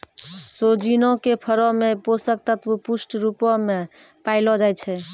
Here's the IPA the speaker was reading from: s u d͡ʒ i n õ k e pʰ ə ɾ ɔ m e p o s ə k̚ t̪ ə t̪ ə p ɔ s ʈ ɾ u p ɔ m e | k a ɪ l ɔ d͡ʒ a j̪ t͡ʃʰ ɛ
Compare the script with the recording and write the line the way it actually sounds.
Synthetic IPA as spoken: s o d͡ʒ i n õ k e pʰ ə ɾ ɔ m e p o s ə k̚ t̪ ə t̪ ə p u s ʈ ɾ u p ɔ m e | p a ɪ l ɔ d͡ʒ a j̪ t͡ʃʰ ɛ

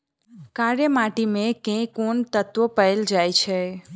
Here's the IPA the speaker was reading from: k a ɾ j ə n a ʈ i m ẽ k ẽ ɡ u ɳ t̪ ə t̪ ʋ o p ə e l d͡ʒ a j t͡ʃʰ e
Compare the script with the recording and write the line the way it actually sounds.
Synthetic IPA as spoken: k a ɾ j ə m a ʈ i m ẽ k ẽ k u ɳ t̪ ə t̪ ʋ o p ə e l d͡ʒ a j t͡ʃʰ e

